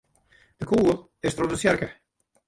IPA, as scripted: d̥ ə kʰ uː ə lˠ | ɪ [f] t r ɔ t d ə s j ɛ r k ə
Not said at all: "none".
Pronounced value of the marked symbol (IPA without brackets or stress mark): s